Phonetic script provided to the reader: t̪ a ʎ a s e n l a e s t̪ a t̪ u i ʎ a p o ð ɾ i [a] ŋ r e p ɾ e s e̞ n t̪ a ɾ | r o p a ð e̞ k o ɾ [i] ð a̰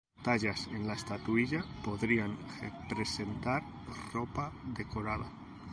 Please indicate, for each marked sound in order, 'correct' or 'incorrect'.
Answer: correct, incorrect

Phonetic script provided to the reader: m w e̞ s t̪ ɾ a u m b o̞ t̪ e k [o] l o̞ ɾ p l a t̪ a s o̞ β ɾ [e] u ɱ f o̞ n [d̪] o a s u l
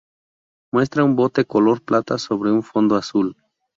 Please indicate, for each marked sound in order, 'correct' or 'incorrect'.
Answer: correct, correct, correct

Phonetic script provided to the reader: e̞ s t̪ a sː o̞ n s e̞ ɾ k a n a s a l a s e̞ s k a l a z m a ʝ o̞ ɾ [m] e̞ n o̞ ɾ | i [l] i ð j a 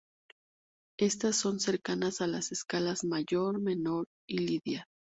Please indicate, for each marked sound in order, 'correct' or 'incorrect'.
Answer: correct, correct

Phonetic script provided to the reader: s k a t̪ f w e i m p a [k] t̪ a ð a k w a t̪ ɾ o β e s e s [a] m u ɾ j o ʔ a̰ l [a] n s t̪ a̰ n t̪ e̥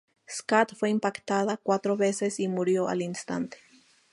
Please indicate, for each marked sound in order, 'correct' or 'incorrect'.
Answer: correct, incorrect, incorrect

